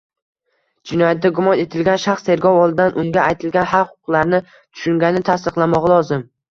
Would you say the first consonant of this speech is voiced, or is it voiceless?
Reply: voiced